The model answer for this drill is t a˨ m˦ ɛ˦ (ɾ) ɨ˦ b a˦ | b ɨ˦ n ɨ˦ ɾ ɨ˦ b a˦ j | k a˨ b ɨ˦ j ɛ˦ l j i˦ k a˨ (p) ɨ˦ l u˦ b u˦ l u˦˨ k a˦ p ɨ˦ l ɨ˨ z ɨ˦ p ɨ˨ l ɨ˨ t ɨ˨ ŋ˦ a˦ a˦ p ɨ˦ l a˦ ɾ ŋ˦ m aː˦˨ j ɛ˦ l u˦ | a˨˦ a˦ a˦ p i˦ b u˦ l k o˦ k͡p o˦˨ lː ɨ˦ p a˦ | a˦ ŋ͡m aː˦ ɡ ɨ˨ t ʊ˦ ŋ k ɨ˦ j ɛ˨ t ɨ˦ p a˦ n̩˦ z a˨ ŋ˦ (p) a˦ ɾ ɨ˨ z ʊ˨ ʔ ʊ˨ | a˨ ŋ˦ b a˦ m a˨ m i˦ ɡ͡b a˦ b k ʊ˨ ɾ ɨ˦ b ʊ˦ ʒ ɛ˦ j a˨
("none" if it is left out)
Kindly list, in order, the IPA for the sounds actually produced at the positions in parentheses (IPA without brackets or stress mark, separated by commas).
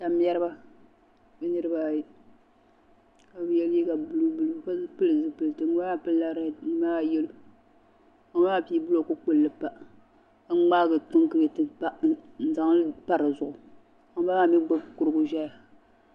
ɾ, b, p